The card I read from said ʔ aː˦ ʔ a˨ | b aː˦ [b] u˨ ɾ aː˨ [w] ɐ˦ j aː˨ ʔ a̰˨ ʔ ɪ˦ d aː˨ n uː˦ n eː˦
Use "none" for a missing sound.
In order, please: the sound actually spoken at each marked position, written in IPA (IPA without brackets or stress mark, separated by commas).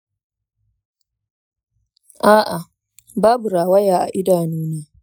b, w